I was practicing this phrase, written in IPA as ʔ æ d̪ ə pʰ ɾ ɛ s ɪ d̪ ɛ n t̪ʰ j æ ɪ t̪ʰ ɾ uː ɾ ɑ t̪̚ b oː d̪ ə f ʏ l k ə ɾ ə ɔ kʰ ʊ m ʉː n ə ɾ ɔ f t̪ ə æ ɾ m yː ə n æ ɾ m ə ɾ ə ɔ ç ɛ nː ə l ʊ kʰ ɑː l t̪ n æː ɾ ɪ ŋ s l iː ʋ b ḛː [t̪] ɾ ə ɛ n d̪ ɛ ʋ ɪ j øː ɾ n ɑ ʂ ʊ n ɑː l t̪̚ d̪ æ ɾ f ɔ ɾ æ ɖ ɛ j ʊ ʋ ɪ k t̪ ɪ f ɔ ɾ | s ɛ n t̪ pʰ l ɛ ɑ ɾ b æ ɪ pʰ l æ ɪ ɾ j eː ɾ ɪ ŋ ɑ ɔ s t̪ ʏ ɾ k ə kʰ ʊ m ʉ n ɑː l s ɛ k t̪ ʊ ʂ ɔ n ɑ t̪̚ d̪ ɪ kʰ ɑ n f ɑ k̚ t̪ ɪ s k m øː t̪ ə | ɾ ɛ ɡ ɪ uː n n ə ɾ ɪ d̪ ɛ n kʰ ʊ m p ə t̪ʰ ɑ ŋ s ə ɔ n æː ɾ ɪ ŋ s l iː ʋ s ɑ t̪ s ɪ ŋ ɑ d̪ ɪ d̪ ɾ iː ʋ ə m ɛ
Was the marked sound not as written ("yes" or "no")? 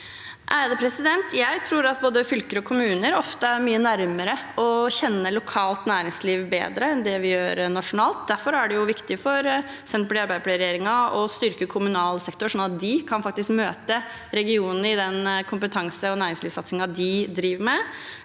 yes